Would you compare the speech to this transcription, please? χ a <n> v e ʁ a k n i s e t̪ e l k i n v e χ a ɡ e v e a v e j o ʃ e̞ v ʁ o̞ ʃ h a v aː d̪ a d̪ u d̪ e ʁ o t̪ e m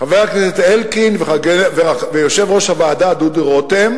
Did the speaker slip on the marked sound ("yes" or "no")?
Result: yes